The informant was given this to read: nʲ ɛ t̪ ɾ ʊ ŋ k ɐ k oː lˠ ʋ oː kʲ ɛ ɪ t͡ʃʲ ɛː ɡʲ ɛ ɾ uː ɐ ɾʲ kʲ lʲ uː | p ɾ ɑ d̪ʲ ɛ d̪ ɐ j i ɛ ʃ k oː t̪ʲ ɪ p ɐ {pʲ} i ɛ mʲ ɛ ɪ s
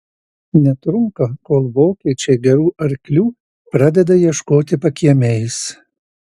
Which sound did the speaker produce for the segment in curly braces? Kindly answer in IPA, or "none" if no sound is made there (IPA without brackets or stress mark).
kʲ